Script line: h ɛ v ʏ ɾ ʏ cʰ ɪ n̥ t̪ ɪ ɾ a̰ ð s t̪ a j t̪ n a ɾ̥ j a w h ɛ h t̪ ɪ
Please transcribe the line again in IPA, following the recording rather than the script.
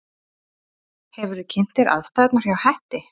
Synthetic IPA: h ɛ v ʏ ɾ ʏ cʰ ɪ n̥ t̪ ɪ ɾ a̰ ð s t̪ a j t̪ n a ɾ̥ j a w h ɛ h t̪ ɪ